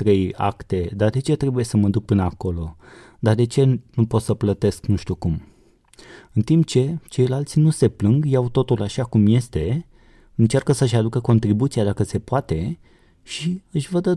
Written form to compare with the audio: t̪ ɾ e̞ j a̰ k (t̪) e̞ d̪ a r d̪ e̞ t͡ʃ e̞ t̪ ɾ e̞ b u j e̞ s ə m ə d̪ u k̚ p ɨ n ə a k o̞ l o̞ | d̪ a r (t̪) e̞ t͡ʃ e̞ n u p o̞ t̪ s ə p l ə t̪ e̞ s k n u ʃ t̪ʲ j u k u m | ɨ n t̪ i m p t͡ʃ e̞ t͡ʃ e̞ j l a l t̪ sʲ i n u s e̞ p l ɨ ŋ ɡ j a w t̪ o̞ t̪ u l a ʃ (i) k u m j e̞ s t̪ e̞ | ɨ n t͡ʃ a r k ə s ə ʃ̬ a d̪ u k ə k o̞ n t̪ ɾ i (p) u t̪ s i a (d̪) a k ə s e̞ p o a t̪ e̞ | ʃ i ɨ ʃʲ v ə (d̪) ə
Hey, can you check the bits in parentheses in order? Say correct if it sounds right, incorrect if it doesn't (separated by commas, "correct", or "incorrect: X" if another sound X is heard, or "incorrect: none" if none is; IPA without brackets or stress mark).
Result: correct, incorrect: d̪, incorrect: a, incorrect: b, correct, correct